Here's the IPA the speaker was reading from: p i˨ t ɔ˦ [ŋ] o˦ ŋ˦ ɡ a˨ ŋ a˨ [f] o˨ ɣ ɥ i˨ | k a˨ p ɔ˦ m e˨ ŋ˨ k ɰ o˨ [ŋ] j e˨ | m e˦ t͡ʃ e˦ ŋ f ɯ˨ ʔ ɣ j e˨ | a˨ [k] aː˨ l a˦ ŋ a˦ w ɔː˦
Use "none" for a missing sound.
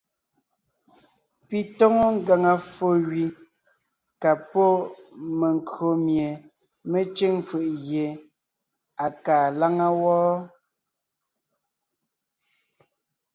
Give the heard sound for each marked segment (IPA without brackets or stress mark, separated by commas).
ŋ, f, m, k